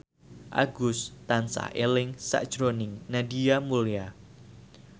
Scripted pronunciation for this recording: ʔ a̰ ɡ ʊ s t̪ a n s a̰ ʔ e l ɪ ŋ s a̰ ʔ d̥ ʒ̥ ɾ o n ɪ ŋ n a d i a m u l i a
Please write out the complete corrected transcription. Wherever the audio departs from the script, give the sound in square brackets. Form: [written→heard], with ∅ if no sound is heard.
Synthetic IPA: ʔ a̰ ɡ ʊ s t̪ a n s a̰ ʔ e l ɪ ŋ s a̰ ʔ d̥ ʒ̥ ɾ o n ɪ ŋ n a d i a m u l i a